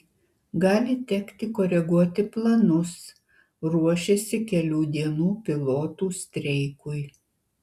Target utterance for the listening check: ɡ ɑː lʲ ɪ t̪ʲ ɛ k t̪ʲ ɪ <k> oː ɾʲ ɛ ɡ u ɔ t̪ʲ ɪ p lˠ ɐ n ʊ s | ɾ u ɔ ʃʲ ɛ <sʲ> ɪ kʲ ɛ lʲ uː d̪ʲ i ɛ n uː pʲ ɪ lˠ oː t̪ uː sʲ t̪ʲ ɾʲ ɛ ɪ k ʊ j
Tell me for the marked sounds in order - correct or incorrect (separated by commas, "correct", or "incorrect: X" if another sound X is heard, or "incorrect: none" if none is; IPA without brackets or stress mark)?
correct, correct